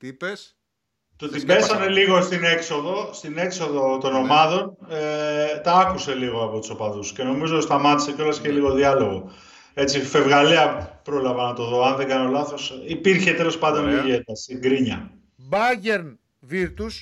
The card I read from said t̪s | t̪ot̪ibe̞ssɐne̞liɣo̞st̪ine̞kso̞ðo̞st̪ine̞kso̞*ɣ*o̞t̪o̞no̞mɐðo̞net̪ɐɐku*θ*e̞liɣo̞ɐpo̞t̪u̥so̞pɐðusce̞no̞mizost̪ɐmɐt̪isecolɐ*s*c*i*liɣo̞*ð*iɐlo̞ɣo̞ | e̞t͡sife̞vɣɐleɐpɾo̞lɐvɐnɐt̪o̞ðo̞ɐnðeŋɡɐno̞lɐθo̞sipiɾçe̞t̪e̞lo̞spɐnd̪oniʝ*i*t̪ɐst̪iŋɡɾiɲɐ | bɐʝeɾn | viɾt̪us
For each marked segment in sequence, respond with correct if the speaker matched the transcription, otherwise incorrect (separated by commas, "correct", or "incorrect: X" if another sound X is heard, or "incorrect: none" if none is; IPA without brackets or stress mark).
incorrect: ð, incorrect: s, correct, incorrect: e, correct, incorrect: e